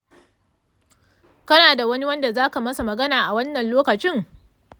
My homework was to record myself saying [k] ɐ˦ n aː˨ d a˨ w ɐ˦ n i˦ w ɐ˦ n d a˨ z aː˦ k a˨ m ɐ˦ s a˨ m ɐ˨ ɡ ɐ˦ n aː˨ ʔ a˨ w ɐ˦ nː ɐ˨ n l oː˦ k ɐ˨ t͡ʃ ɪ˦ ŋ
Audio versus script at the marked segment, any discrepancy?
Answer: no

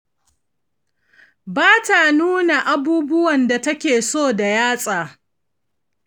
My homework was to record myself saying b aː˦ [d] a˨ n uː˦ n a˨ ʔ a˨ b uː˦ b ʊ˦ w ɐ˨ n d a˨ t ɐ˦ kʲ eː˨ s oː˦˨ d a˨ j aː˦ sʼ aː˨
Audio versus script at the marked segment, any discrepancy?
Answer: yes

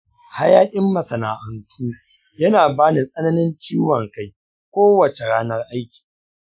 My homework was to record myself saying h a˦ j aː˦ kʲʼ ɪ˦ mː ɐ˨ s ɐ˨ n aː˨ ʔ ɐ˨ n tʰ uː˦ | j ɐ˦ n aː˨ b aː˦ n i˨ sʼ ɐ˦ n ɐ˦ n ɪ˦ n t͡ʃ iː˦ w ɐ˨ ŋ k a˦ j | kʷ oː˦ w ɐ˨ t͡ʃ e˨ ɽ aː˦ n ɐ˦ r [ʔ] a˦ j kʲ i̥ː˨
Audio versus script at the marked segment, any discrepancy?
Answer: no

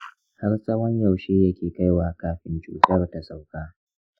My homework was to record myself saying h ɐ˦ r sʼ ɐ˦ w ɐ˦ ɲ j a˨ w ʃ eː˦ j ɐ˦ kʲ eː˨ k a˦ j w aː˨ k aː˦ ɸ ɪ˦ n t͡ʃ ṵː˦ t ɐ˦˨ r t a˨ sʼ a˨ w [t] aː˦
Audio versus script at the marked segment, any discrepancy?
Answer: yes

